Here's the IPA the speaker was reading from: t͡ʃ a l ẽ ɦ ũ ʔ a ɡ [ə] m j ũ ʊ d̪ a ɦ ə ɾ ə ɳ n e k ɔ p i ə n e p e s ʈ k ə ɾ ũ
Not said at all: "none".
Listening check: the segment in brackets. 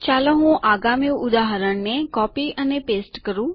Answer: a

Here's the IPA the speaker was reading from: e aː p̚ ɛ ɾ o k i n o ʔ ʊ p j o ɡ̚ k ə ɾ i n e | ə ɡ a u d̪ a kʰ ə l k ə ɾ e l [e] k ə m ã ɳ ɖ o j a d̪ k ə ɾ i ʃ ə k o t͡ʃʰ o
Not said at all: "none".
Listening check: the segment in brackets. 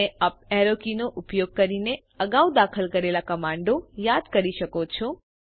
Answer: a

